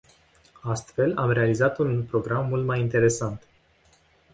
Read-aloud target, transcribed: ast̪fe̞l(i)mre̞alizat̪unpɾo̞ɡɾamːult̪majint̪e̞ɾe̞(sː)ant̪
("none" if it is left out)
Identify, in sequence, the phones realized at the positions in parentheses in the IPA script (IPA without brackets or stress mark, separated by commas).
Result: a, s